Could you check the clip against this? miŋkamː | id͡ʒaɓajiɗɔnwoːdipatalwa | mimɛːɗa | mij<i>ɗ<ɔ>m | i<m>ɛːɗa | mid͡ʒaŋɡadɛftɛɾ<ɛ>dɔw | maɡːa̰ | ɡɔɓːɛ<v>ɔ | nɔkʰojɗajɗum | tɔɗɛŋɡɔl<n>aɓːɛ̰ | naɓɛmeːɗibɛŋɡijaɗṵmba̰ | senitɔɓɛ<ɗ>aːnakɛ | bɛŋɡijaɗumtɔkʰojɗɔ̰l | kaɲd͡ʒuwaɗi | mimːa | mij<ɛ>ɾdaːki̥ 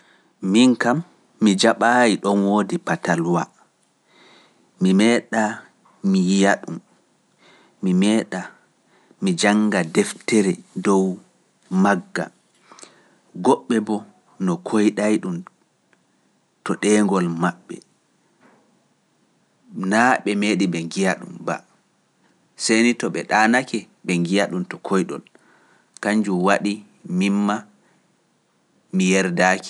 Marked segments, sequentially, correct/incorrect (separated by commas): incorrect, incorrect, correct, correct, incorrect, incorrect, correct, correct